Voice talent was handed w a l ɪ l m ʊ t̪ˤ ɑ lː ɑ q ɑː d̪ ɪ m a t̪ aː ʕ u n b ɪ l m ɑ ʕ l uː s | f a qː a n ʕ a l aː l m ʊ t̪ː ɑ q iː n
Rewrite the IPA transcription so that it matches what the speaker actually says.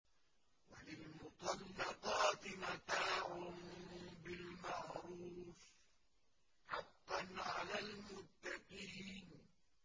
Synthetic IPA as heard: w a l ɪ l m ʊ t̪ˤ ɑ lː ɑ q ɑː t̪ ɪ m a t̪ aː ʕ ʊ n b ɪ l m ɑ ʕ ɾ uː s | ħ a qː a n ʕ a l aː l m ʊ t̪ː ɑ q iː n